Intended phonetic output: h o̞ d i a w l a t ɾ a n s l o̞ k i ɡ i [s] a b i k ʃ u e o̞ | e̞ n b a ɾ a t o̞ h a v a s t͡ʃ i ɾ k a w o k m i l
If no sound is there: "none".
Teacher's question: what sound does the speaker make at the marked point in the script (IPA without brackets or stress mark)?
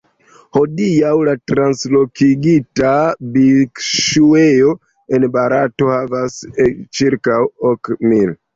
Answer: t